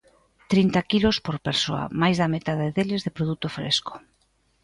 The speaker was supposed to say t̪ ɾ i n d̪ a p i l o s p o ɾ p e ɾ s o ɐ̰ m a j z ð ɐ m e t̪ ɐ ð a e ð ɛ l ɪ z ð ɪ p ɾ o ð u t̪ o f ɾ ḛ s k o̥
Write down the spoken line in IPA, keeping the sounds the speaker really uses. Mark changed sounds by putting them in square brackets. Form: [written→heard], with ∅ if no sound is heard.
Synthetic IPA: t̪ ɾ i n [d̪→t̪] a [p→k] i l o s p o ɾ p e ɾ s o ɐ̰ m a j z ð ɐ m e t̪ [ɐ→a] ð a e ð [ɛ→e] l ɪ z ð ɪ p ɾ o ð u t̪ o f ɾ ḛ s k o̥